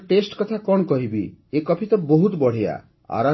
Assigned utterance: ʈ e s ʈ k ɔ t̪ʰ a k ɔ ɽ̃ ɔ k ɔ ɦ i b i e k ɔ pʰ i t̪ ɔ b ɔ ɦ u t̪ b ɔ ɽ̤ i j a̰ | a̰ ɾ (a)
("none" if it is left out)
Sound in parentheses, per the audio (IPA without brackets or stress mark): a